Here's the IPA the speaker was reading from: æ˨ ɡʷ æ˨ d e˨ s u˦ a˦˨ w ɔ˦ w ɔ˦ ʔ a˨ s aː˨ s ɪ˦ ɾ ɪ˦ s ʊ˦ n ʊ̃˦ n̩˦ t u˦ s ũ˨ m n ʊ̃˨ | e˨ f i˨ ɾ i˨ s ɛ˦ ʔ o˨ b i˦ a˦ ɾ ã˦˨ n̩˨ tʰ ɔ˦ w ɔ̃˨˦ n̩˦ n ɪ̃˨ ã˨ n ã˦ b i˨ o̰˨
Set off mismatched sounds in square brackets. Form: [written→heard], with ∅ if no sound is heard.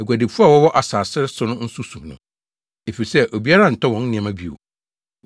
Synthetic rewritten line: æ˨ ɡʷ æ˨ d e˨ [s→f] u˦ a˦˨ w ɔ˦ w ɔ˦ ʔ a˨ s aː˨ s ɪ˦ ɾ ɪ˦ s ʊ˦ n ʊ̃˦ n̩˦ [t→s] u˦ s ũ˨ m n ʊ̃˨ | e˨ f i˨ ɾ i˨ s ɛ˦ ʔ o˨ b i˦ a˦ ɾ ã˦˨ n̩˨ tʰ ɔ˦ w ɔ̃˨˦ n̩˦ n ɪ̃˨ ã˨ [n→m] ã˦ b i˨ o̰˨